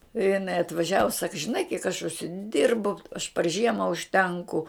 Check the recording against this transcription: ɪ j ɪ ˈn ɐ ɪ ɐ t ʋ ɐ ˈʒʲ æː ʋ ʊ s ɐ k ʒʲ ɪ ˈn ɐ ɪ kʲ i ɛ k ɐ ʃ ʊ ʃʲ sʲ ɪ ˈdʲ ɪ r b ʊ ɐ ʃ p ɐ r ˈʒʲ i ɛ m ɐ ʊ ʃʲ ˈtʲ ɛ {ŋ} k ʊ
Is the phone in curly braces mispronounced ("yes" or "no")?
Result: no